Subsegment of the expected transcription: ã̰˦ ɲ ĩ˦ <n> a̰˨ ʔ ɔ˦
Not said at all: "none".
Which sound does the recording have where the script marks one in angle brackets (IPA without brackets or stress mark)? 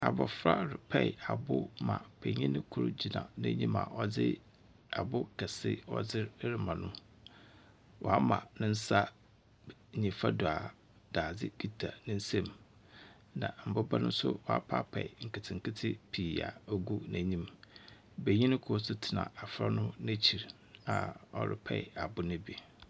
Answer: m